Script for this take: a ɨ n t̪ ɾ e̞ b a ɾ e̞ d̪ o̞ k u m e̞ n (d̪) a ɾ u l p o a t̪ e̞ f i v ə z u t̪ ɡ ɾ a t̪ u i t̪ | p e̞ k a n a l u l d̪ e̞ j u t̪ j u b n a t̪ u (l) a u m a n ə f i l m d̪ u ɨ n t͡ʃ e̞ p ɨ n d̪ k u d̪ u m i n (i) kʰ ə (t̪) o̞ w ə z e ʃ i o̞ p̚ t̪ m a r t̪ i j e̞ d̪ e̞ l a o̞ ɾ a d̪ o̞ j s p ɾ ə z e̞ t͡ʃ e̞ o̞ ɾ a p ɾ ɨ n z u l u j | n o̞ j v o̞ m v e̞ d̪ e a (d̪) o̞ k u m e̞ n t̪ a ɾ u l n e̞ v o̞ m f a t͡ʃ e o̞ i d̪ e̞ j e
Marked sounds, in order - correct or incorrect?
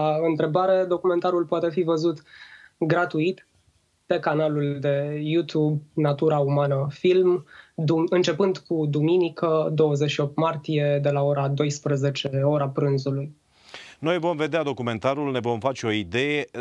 incorrect: t̪, incorrect: ɾ, correct, incorrect: d̪, correct

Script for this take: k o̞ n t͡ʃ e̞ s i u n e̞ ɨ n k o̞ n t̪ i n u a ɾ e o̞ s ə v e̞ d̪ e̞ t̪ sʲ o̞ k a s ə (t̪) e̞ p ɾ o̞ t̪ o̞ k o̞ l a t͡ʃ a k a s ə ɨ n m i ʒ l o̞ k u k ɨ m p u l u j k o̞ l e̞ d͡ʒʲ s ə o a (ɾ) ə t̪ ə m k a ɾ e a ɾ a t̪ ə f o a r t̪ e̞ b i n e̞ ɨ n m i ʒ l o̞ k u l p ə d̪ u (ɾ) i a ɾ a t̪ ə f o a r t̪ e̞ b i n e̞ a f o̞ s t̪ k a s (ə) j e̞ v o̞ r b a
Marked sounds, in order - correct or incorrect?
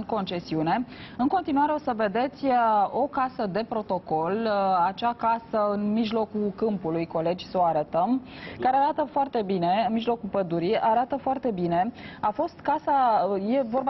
incorrect: d̪, correct, correct, incorrect: a

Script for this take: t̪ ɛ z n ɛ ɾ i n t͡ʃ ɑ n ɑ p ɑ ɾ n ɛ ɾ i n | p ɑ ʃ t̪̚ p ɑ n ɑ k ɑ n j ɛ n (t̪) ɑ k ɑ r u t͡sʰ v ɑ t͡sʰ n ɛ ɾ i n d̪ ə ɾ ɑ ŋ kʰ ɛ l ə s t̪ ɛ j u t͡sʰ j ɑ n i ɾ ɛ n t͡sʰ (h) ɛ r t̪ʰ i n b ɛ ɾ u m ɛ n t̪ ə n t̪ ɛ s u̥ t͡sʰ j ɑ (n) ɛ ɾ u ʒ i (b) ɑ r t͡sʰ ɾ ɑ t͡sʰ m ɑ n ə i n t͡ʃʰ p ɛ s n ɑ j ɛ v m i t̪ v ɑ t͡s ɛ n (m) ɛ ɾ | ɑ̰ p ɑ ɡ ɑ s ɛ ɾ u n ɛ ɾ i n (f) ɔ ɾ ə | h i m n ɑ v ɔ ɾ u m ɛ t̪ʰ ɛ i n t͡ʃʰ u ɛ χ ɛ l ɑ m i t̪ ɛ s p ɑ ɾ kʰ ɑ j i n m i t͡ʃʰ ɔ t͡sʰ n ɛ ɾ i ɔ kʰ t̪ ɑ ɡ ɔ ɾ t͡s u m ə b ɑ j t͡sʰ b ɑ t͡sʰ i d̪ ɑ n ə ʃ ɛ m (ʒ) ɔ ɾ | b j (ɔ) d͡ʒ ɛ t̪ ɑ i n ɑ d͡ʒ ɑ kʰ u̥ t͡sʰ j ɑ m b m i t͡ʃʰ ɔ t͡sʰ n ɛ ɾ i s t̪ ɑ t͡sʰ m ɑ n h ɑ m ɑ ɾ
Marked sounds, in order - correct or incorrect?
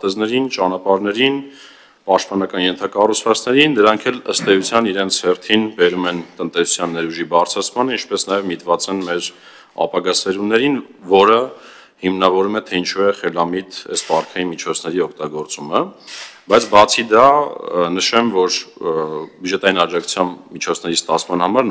incorrect: t̪ʰ, correct, incorrect: nː, correct, correct, incorrect: v, incorrect: v, incorrect: u

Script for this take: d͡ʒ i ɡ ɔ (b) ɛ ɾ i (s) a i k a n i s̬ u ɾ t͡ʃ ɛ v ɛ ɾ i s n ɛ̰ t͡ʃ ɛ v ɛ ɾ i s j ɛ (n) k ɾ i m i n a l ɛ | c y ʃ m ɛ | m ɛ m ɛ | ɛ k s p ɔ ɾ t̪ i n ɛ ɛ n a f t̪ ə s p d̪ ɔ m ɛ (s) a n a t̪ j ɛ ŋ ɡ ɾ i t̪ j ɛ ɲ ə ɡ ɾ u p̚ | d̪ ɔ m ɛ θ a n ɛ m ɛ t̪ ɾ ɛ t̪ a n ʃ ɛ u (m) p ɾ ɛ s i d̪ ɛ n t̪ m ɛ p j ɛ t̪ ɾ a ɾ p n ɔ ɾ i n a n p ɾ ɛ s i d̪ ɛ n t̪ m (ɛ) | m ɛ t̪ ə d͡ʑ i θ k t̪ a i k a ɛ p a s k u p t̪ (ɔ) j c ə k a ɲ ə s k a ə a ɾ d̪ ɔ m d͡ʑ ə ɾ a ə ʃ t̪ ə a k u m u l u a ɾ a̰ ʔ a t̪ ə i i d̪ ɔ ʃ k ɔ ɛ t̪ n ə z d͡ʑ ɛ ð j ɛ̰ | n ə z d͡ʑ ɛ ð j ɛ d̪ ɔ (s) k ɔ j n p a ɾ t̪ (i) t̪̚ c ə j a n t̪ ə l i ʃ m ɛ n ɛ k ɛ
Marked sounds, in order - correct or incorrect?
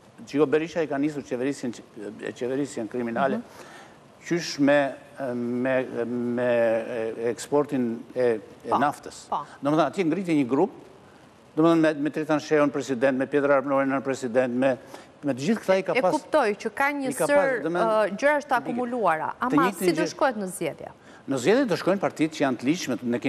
correct, incorrect: ʃ, correct, incorrect: θ, incorrect: n, correct, correct, incorrect: ʃ, correct

